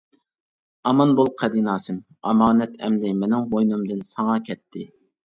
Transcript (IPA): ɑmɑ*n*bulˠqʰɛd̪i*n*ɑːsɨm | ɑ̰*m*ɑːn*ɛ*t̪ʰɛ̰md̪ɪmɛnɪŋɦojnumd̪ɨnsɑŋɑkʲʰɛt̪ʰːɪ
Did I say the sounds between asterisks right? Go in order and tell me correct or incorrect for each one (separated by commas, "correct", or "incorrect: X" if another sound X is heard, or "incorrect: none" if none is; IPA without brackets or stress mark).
correct, correct, correct, correct